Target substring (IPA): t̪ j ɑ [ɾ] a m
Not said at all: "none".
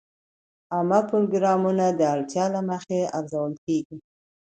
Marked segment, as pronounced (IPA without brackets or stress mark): l